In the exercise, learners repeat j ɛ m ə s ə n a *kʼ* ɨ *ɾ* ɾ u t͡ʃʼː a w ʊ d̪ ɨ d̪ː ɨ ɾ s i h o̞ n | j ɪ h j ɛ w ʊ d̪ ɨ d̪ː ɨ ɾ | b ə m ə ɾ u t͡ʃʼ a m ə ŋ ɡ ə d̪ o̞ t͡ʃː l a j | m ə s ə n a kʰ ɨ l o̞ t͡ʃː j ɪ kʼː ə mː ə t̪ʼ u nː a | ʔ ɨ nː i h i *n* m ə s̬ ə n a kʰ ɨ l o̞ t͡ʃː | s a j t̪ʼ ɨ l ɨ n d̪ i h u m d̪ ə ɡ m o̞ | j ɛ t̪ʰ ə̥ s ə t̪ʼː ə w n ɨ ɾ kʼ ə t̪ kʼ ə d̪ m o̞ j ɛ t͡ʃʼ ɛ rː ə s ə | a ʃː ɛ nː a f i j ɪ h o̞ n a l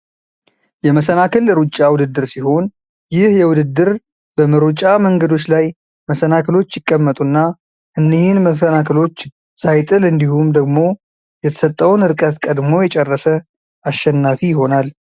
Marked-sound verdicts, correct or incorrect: incorrect: k, incorrect: l, correct

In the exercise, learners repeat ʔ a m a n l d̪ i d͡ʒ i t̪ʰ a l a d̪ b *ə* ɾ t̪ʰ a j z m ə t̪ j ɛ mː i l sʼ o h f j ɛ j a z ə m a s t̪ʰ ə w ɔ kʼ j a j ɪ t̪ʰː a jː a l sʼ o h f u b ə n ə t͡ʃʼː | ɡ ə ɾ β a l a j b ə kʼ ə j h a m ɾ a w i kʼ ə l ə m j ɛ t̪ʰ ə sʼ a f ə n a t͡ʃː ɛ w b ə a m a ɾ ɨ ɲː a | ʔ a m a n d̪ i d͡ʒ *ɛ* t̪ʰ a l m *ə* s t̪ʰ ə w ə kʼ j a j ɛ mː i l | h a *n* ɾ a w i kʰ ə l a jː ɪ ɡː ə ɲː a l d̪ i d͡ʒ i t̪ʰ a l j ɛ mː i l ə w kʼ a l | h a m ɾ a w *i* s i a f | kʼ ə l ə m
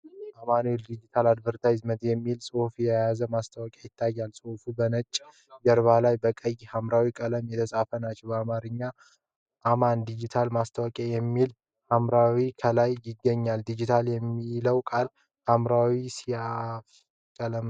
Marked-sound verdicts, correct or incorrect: correct, incorrect: i, incorrect: a, incorrect: m, correct

